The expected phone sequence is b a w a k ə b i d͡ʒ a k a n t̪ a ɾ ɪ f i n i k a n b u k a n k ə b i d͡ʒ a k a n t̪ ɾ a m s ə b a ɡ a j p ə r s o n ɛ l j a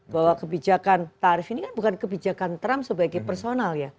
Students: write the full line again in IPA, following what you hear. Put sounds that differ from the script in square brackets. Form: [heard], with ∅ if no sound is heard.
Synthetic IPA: b a w a k ə b i d͡ʒ a k a n t̪ a ɾ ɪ f i n i k a n b u k a n k ə b i d͡ʒ a k a n t̪ ɾ a m s ə b a ɡ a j p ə r s o n [a] l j a